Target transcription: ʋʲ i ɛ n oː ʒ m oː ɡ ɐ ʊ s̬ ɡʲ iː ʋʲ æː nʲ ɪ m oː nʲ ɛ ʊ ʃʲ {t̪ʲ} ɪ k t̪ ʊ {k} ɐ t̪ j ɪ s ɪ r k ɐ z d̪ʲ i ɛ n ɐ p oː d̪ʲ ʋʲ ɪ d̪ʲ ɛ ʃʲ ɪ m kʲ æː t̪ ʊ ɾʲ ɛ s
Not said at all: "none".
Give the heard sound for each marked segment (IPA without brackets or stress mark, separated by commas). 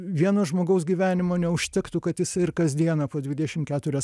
t̪ʲ, k